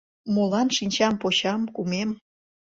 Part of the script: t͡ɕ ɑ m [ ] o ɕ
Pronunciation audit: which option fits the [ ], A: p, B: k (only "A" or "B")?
A